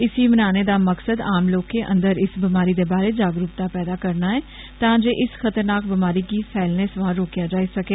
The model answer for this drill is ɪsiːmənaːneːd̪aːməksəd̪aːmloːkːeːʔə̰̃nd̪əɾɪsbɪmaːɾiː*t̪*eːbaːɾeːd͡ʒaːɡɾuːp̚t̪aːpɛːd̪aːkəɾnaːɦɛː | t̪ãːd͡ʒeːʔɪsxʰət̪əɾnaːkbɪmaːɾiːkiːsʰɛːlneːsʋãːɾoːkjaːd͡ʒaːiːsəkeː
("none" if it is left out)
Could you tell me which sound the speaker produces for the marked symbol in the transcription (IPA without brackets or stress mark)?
d̪